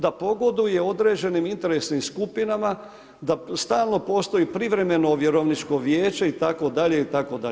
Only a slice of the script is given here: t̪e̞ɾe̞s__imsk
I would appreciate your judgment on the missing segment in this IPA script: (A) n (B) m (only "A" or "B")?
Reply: A